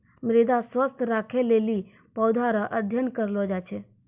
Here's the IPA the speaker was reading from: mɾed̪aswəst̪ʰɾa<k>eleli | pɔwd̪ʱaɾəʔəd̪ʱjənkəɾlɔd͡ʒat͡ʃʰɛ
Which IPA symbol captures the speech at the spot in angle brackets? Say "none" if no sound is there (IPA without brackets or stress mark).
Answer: kʰ